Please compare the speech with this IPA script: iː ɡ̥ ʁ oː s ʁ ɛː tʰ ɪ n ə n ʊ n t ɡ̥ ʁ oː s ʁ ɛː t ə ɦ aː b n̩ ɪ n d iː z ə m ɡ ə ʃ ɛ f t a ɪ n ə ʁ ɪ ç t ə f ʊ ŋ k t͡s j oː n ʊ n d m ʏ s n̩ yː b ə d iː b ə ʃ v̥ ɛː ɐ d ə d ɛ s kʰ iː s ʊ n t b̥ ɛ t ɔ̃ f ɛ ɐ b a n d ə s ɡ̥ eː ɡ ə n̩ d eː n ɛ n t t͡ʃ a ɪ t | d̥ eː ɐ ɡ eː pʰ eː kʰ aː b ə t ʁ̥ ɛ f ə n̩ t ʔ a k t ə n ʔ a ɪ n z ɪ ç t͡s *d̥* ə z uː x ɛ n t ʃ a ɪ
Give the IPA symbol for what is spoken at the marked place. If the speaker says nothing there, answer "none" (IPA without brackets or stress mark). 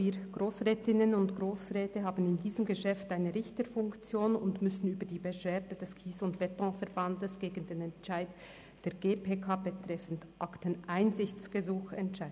ɡ̥